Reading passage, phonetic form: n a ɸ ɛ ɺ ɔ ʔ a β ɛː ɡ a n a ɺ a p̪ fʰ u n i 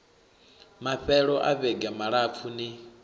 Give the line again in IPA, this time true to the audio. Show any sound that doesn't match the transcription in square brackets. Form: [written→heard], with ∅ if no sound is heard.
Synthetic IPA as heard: [n→m] a ɸ ɛ ɺ ɔ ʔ a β [ɛː→ɛ] ɡ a [n→m] a ɺ a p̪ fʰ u n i